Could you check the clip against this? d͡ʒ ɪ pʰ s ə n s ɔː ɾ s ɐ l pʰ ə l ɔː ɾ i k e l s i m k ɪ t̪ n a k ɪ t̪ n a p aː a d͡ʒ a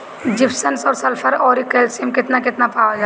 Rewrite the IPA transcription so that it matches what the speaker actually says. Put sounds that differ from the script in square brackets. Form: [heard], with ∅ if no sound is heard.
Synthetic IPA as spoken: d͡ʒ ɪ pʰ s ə n s ɔː ɾ s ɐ l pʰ ə [ɾ] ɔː ɾ i k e l s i m k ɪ t̪ n a k ɪ t̪ n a p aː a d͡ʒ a